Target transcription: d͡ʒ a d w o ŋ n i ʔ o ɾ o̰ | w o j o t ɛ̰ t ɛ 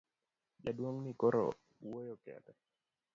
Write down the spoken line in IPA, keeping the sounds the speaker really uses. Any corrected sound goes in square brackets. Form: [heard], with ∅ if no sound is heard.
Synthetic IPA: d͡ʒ a d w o ŋ n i [k] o ɾ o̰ | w o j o [k] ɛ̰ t ɛ